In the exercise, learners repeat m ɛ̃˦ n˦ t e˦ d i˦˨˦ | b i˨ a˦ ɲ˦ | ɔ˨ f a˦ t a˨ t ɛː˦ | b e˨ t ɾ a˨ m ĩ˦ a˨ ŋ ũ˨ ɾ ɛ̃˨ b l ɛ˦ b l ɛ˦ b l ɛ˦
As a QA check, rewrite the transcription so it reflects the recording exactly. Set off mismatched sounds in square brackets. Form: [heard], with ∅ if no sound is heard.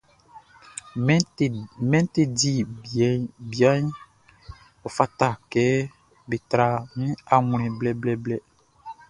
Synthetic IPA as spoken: m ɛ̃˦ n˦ t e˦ d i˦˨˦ | b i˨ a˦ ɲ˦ | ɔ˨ f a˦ t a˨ [k] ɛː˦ | b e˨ t ɾ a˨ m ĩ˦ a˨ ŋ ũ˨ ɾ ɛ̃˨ b l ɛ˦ b l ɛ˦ b l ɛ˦

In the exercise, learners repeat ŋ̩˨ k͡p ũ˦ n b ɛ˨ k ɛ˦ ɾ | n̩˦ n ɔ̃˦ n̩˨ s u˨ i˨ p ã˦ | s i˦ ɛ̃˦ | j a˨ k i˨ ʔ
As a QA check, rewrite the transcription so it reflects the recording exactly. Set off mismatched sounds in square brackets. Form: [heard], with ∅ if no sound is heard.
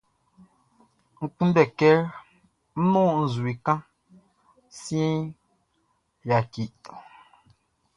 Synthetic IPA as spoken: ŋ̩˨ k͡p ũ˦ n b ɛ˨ k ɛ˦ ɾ | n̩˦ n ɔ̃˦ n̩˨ [z] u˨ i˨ [k] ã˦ | s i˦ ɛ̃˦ | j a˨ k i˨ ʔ

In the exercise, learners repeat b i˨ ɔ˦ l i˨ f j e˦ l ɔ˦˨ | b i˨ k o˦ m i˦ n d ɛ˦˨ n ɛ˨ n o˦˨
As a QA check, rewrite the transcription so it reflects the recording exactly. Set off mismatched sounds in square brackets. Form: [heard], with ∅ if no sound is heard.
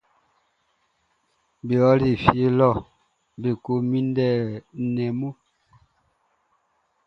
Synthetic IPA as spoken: b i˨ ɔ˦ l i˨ f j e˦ l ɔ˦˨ | b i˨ k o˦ m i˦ n d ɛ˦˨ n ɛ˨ [m] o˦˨

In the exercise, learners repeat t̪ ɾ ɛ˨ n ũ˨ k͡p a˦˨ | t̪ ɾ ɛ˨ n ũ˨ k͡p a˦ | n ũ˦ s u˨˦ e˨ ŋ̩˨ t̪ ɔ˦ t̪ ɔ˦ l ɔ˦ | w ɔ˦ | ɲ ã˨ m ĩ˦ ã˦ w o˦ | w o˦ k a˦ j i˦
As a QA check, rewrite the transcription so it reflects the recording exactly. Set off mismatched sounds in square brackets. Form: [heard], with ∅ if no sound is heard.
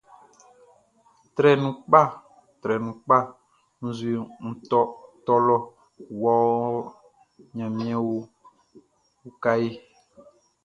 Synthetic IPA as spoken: t̪ ɾ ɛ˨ n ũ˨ k͡p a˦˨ | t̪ ɾ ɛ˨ n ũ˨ k͡p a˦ | n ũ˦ [z] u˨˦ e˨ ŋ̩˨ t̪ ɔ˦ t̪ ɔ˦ l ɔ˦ | w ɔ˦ | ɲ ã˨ m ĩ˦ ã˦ w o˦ | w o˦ k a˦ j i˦

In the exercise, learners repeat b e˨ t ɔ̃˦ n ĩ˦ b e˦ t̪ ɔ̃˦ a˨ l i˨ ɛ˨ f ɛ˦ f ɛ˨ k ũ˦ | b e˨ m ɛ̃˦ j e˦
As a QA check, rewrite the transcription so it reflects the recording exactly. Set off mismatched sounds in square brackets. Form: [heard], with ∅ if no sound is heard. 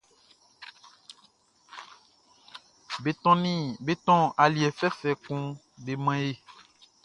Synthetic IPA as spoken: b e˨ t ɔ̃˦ n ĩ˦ b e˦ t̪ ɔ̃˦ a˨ l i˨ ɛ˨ f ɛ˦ f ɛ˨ k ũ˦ | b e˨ m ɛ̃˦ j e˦

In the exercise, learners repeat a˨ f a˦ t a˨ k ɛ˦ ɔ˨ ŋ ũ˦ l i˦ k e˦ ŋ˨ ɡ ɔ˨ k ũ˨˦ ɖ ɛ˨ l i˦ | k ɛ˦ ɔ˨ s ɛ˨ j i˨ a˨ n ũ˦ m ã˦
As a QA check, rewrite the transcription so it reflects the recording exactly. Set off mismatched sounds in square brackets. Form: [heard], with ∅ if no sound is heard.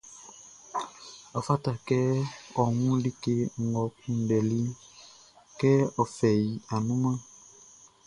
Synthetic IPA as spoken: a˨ f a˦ t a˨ k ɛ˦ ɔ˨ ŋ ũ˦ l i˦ k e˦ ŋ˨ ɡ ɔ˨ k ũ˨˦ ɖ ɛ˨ l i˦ | k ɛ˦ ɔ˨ [f] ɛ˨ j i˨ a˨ n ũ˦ m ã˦

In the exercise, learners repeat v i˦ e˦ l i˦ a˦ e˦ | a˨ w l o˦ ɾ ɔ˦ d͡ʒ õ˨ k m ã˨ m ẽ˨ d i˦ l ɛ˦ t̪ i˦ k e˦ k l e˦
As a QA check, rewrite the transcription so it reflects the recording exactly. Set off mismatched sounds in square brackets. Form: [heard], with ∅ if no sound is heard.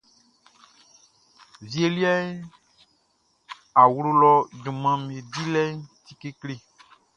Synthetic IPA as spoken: v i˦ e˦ l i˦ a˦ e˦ | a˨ w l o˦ [l] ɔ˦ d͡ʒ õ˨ [∅] m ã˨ m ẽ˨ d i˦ l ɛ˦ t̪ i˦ k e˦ k l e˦

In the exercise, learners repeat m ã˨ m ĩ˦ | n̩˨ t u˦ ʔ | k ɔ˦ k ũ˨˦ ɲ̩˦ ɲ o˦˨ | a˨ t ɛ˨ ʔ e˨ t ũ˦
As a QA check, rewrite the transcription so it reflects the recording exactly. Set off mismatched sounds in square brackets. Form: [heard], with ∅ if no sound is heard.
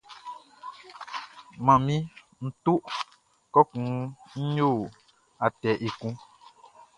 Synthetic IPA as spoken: m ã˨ m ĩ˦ | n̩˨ t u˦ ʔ | k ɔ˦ k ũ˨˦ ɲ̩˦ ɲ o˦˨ | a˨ t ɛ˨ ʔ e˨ [k] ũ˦

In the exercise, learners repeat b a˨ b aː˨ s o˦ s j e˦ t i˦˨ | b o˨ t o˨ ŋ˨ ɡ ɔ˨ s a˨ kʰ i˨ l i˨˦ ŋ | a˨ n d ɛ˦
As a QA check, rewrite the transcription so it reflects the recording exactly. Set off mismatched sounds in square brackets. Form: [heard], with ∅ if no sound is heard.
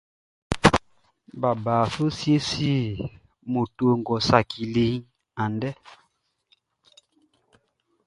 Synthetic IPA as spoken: b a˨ b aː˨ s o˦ s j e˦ [s] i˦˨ | [m] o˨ t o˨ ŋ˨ ɡ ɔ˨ s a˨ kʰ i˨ l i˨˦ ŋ | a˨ n d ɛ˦

